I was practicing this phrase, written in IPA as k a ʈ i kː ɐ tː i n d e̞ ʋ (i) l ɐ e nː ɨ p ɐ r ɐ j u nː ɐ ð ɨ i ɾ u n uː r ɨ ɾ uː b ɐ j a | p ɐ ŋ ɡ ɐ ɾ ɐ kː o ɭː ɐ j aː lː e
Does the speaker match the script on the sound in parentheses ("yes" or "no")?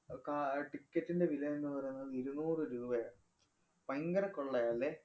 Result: yes